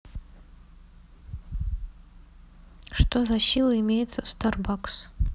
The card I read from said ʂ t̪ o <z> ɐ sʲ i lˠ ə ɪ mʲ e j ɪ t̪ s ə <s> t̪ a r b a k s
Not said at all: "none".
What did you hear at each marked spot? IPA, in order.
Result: z, s

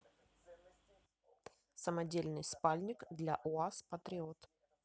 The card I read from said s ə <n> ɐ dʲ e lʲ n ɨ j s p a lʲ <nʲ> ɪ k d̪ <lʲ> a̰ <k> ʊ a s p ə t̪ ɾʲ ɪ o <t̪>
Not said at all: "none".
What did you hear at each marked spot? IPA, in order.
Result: m, nʲ, lʲ, ʔ, t̪

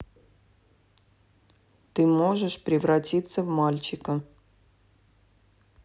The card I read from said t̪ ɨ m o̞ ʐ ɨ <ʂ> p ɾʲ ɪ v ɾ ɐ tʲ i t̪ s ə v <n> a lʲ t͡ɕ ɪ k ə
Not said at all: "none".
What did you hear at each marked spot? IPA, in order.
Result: ʂ, m

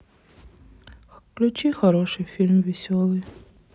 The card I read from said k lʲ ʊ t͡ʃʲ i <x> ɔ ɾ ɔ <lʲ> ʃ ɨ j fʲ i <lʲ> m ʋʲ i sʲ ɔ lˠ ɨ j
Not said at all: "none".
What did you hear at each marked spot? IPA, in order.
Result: x, none, lʲ

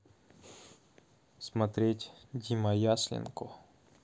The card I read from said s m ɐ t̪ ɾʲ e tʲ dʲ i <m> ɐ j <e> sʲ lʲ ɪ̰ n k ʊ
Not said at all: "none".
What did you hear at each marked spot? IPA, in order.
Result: m, a

